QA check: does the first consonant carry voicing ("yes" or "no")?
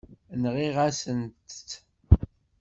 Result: yes